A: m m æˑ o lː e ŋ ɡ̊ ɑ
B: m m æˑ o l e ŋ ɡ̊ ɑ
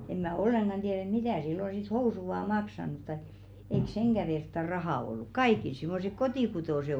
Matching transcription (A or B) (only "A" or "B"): A